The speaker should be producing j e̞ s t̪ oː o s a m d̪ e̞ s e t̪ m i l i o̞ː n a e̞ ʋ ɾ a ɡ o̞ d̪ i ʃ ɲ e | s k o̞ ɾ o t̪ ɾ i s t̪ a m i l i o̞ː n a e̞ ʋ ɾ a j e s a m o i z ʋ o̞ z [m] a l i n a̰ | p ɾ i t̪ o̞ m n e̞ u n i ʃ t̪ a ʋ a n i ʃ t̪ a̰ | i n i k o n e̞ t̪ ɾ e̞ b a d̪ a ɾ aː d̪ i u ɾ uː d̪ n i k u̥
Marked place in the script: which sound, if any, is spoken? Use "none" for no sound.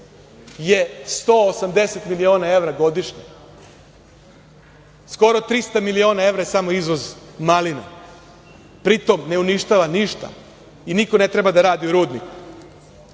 m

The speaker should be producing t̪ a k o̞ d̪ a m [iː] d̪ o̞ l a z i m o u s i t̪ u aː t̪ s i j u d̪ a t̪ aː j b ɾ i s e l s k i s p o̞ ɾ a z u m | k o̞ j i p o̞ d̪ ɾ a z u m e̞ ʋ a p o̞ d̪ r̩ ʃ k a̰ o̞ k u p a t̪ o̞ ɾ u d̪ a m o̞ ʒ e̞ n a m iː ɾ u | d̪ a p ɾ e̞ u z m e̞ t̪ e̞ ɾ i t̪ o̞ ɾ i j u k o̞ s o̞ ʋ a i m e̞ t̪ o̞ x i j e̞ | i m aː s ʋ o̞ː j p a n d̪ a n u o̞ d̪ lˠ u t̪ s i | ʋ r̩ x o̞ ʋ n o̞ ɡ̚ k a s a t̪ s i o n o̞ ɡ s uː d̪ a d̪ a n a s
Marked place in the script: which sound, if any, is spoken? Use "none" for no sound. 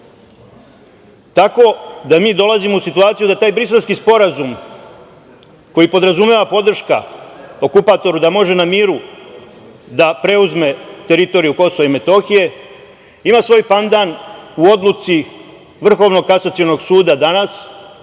iː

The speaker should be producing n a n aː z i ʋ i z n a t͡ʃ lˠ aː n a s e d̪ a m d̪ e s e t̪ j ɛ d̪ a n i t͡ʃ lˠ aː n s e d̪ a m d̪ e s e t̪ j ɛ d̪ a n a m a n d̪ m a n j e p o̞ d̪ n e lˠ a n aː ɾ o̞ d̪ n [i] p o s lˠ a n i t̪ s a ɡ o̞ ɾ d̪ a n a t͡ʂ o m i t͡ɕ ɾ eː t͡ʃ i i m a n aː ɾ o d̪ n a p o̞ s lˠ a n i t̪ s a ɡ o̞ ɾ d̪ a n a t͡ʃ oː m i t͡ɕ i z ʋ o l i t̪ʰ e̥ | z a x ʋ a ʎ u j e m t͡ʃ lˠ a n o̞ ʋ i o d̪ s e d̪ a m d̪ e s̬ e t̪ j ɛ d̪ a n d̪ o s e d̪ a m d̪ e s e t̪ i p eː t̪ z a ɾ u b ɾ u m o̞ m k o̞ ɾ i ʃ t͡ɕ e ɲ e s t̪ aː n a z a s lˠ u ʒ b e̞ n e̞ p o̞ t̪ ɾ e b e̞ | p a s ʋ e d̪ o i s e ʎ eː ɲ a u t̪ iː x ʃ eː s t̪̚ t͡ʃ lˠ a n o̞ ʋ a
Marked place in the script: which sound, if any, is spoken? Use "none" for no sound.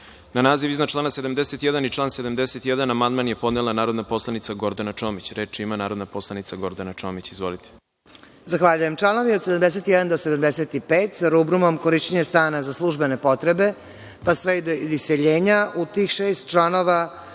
a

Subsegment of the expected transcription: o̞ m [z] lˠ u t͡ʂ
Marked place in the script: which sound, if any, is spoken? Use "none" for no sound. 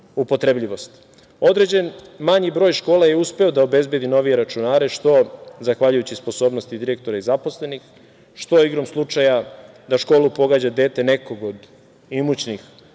s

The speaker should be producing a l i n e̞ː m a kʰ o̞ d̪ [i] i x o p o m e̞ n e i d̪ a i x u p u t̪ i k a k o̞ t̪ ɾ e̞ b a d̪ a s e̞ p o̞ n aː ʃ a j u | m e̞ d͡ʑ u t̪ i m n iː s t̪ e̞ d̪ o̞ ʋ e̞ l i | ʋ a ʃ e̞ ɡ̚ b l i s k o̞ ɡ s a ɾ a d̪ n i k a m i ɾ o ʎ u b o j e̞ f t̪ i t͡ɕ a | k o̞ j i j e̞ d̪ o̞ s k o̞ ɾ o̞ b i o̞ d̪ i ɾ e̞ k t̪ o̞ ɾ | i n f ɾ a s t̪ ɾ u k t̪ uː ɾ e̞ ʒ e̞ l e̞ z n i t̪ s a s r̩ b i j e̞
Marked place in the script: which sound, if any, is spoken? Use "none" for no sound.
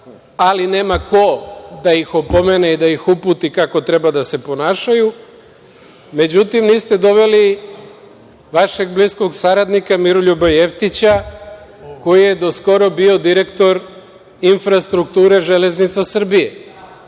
a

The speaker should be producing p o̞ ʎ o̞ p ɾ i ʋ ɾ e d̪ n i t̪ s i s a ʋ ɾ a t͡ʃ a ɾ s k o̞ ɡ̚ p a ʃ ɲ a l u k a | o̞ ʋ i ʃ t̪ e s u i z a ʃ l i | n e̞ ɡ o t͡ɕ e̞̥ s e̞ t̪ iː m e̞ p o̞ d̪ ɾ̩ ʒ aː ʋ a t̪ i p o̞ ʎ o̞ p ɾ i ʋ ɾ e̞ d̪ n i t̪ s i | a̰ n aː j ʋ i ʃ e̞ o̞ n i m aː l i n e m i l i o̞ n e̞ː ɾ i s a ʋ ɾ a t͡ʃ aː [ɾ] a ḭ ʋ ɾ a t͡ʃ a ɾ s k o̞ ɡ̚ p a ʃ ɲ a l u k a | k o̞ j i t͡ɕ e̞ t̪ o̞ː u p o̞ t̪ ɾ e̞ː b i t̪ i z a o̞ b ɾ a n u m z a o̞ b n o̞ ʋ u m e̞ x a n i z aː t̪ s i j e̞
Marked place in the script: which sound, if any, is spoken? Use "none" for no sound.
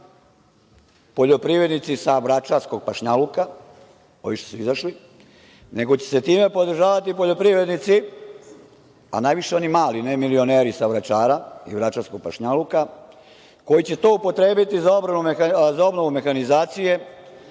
ɾ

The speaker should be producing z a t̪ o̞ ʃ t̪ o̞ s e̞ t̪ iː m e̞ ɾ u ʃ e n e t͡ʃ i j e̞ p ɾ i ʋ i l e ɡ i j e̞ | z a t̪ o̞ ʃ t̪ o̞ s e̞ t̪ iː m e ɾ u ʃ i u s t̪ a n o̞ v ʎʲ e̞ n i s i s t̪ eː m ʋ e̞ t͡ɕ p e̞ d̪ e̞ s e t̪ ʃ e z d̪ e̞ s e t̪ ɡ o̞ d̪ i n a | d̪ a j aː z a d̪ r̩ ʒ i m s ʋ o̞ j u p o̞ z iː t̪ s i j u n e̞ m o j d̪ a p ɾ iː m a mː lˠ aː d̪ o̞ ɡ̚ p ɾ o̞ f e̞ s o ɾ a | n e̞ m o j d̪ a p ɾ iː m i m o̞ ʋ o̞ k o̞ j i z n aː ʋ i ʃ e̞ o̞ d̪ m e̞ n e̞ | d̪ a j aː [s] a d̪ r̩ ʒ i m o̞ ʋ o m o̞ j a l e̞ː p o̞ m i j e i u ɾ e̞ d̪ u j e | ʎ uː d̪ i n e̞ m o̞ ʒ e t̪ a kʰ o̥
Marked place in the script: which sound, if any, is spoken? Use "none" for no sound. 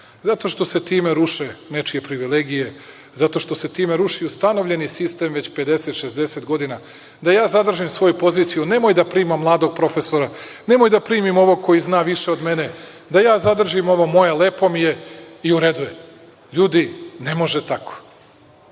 z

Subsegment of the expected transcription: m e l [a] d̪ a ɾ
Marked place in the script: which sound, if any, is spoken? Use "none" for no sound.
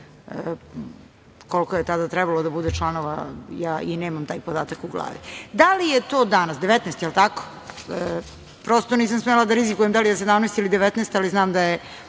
a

